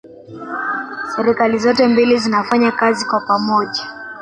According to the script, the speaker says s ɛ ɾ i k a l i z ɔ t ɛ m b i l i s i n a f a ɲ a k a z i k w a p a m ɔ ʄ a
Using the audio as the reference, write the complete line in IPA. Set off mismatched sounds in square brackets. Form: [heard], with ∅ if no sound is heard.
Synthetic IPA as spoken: s ɛ ɾ i k a l i z ɔ t ɛ m b i l i [z] i n a f a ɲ a k a z i k w a p a m ɔ ʄ a